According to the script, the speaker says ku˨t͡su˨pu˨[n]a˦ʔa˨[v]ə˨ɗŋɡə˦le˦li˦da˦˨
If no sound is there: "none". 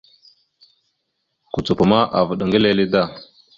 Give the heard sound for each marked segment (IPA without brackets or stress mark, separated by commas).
m, v